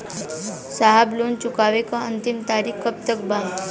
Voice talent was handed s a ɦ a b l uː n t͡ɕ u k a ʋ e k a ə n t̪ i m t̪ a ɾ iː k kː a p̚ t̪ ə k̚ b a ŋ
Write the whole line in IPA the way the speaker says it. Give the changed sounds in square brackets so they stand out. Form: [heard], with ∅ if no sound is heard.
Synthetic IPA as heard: s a ɦ a b l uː n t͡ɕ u k a ʋ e k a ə n t̪ i m t̪ a ɾ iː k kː [ə] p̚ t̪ ə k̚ b a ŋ